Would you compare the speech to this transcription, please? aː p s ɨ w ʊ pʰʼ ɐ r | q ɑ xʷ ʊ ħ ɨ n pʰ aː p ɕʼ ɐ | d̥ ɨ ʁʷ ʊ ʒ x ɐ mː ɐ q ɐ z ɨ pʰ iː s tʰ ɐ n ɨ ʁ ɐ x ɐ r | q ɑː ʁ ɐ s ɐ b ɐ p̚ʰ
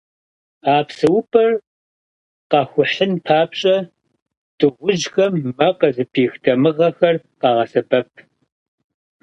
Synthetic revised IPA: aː p s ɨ w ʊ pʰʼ ɐ r | q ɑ xʷ ʊ ħ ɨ n pʰ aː p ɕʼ ɐ | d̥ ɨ ʁʷ ʊ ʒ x ɐ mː ɐ q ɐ z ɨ pʰ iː x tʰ ɐ m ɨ ʁ ɐ x ɐ r | q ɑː ʁ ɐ s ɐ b ɐ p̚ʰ